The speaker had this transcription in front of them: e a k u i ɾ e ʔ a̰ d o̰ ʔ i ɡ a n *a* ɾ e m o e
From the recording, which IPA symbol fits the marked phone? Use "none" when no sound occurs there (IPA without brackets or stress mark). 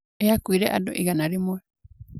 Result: a